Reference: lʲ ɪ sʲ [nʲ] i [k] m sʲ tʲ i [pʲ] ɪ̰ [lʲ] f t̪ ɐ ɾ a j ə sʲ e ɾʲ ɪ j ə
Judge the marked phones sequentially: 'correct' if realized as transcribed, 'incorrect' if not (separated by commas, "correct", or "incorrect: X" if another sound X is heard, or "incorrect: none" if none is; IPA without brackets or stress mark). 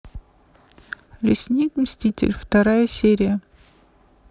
correct, correct, incorrect: tʲ, correct